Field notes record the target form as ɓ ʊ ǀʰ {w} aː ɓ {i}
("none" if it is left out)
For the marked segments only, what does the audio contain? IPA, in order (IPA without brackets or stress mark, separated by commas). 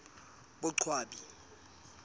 w, i